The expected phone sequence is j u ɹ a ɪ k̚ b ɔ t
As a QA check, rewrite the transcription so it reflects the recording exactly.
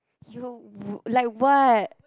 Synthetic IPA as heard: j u l a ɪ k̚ w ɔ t